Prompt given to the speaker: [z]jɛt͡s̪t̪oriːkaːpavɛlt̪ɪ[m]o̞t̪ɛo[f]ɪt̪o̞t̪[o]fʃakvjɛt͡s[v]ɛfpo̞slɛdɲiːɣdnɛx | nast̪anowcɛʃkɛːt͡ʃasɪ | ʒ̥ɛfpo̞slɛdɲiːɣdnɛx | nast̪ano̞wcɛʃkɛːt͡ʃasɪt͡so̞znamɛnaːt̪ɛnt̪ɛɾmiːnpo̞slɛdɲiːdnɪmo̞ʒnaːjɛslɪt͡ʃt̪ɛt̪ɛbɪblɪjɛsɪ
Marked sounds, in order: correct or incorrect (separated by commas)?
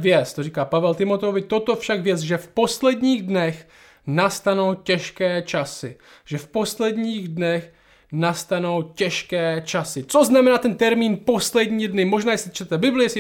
incorrect, correct, incorrect, correct, incorrect